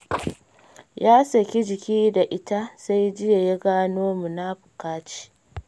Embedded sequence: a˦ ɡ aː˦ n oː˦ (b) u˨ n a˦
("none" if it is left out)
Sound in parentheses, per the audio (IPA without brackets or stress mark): m